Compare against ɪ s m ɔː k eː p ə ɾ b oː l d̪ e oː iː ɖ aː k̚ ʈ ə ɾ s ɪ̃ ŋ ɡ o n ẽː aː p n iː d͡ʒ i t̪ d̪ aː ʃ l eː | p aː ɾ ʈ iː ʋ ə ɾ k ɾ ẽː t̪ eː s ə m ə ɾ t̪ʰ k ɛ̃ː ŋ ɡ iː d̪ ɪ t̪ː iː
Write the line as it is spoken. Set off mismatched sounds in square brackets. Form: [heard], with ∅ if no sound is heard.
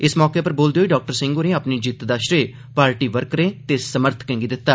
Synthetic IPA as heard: ɪ s m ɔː k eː p ə ɾ b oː l d̪ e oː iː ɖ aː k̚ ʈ ə ɾ s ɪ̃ ŋ ɡ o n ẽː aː p n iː d͡ʒ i t̪ d̪ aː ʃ [ɾ] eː | p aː ɾ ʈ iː ʋ ə ɾ k ɾ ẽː t̪ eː s ə m ə ɾ t̪ʰ k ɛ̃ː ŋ ɡ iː d̪ ɪ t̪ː [aː]